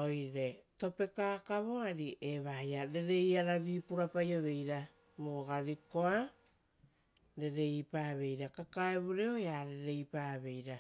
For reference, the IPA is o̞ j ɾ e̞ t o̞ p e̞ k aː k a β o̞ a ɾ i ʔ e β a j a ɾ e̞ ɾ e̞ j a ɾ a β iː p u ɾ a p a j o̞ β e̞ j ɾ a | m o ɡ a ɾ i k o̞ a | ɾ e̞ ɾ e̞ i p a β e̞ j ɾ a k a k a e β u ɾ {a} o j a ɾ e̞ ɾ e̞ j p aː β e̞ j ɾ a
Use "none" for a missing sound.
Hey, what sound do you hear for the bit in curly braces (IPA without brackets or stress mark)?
e